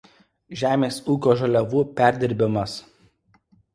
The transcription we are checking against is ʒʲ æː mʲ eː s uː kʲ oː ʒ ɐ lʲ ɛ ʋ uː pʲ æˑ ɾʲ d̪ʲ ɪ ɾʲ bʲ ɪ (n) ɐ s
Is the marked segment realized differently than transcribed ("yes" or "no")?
yes